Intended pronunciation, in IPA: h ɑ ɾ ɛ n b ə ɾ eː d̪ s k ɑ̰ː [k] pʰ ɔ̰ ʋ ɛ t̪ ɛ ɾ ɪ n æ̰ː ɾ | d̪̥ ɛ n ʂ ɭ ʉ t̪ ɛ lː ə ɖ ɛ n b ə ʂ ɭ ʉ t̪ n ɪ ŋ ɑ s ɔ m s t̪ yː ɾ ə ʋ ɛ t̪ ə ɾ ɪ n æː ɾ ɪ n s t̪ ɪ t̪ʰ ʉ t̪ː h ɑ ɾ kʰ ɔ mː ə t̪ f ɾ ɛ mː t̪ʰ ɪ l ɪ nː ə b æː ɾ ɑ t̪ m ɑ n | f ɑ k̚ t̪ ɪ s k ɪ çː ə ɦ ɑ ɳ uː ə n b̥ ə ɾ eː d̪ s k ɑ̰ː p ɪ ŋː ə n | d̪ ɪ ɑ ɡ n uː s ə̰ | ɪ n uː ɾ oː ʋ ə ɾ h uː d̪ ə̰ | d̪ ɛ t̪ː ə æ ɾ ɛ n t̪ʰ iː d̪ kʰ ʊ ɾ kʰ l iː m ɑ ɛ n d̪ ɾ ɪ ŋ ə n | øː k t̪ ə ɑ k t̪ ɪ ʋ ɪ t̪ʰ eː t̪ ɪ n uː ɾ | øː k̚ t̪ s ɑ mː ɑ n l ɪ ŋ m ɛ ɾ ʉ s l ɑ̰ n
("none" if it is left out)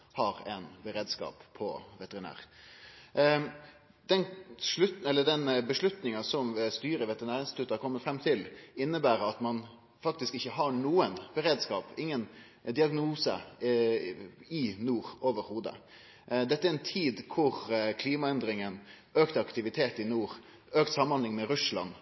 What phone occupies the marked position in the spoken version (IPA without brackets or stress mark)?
p